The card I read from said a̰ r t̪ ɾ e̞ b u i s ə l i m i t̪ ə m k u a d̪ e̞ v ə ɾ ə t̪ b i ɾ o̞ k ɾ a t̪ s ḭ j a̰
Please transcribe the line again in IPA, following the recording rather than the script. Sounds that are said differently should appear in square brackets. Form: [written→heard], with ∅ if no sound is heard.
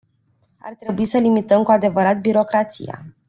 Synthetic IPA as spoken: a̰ r t̪ ɾ e̞ b u i s ə l i m i t̪ ə m k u a d̪ e̞ v ə ɾ [ə→a] t̪ b i ɾ o̞ k ɾ a t̪ s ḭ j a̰